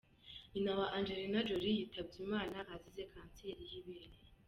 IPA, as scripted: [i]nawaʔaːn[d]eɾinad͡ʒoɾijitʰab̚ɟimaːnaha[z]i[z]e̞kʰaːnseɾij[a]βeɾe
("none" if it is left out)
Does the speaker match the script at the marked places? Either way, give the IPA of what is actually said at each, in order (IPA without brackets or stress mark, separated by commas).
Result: i, d͡ʒ, z, z, i